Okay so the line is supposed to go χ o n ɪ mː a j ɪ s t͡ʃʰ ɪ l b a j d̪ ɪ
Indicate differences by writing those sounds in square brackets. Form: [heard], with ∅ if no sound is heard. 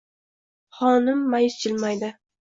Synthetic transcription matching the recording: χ [ɒ] n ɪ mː a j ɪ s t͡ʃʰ ɪ l [m] a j d̪ ɪ